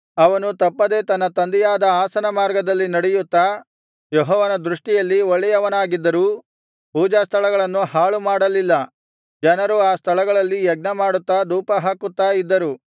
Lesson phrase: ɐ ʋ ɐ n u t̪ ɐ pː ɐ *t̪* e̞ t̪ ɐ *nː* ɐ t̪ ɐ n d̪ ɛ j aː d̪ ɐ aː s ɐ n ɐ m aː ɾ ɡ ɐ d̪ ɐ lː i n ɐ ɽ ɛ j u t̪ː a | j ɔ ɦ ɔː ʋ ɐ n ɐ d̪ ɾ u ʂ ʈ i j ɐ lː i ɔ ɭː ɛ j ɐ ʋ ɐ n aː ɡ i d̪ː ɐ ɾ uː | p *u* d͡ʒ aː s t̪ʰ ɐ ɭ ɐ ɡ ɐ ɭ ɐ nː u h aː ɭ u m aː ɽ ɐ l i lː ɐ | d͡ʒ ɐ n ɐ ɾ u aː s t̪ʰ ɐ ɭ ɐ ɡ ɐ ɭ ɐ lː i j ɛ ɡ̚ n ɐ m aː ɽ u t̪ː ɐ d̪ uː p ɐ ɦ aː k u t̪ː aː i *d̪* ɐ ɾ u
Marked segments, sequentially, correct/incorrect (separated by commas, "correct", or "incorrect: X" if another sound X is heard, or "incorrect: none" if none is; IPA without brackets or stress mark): incorrect: d̪, correct, incorrect: uː, incorrect: d̪ː